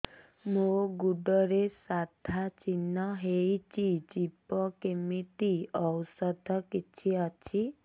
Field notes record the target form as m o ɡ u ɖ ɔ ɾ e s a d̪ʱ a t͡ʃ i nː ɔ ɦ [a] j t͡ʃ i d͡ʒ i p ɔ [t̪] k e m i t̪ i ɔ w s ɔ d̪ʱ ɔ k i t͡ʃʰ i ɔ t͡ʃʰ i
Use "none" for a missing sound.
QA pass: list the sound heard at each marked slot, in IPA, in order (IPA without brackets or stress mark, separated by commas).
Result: e, none